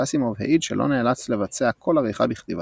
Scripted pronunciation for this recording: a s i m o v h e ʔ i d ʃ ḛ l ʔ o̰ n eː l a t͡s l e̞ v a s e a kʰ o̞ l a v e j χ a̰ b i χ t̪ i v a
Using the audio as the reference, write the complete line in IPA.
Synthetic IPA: a s i m o v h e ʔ i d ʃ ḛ l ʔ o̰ n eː l a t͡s l e̞ v a t͡s e a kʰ o̞ l a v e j χ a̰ b i χ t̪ i v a